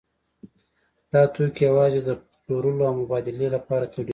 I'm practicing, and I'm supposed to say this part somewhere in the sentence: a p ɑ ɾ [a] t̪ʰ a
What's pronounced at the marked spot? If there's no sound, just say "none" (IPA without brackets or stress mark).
a